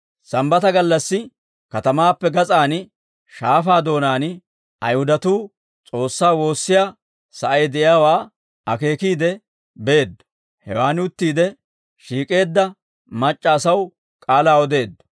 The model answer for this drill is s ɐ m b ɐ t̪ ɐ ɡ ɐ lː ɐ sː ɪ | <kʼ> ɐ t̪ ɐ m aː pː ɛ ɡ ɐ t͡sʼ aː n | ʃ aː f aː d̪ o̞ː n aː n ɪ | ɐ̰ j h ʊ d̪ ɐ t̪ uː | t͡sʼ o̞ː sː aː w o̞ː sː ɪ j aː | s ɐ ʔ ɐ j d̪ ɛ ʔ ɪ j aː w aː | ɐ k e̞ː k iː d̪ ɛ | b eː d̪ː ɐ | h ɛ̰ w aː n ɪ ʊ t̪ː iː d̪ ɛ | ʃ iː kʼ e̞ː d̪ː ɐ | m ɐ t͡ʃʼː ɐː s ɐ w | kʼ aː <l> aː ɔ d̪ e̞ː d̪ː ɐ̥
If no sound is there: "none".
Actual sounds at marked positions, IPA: k, l

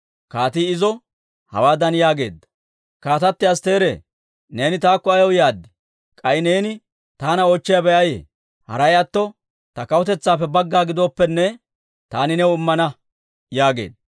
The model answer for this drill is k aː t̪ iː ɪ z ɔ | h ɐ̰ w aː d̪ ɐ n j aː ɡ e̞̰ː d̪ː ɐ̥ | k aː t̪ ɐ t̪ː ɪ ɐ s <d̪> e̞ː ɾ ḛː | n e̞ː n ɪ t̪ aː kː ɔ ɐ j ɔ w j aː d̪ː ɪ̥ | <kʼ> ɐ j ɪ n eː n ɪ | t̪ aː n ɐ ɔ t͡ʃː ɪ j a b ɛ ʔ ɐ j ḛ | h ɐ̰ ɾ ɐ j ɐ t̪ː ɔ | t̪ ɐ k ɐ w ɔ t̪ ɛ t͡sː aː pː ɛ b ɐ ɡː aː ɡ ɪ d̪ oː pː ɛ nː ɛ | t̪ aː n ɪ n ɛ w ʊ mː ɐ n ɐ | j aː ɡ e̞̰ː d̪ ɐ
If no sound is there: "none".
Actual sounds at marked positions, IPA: t̪, kʼ

